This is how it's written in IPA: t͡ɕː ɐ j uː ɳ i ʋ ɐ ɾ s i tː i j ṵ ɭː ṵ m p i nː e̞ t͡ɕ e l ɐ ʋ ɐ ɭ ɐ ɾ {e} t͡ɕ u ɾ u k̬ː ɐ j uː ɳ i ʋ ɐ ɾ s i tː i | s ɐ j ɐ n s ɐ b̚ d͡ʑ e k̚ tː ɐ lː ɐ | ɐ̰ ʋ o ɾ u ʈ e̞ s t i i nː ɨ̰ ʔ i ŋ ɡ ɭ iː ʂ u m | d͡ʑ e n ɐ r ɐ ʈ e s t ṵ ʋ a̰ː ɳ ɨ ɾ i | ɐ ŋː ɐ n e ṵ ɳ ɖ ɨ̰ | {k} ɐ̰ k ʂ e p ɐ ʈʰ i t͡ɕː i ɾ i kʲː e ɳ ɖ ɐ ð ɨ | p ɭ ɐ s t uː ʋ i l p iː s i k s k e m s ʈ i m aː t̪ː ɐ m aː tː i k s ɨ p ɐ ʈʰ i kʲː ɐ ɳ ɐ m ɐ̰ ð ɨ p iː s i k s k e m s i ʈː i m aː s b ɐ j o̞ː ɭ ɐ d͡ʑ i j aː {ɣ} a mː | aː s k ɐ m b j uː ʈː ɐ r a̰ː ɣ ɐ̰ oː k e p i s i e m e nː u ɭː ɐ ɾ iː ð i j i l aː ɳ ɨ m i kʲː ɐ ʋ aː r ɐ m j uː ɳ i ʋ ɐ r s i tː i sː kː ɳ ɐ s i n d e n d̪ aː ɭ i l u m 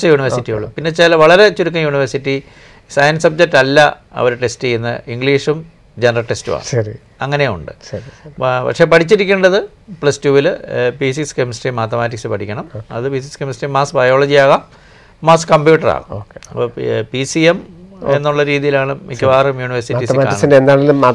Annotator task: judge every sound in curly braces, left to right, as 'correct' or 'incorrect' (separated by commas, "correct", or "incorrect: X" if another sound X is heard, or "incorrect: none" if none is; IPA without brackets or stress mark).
correct, incorrect: p, correct